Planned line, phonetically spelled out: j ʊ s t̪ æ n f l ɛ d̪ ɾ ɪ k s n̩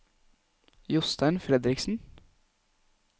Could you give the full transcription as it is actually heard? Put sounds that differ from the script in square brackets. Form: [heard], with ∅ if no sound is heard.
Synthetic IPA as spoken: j ʊ s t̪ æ n f [ɾ] ɛ d̪ ɾ ɪ k s n̩